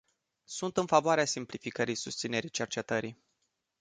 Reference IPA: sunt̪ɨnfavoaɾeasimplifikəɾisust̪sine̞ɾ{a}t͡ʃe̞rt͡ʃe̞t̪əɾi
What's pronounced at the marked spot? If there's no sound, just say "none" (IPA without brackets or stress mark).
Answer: i